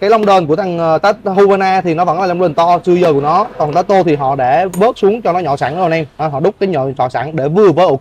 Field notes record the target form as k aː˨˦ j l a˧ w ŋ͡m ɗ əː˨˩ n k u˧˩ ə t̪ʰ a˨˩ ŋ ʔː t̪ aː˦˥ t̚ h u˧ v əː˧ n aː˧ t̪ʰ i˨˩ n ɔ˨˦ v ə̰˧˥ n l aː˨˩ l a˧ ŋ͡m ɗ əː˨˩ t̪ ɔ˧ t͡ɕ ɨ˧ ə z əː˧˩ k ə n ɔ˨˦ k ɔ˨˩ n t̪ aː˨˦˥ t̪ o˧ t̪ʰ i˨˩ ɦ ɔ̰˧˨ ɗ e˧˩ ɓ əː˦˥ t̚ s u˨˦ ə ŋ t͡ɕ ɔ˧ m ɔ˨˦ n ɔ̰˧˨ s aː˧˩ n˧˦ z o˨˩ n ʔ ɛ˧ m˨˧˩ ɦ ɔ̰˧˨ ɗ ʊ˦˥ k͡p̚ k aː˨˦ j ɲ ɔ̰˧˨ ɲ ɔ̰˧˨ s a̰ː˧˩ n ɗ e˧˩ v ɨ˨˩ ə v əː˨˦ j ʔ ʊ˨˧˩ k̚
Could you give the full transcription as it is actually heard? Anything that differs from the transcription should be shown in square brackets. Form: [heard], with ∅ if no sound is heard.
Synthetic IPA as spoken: k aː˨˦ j l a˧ w ŋ͡m ɗ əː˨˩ n k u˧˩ ə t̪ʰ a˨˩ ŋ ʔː t̪ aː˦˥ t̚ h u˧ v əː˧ n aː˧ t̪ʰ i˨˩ n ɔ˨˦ v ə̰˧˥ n l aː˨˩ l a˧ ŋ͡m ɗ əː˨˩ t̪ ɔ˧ t͡ɕ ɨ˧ ə z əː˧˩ k ə n ɔ˨˦ k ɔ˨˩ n t̪ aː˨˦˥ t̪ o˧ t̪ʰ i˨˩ ɦ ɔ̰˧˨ ɗ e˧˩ ɓ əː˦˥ t̚ s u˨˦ ə ŋ t͡ɕ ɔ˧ [n] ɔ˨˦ [ɲ] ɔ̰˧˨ s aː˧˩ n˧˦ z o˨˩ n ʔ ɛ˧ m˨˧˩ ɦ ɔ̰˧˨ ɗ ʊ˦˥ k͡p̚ k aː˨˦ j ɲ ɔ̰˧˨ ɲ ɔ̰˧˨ s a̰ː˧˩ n ɗ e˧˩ v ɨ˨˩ ə v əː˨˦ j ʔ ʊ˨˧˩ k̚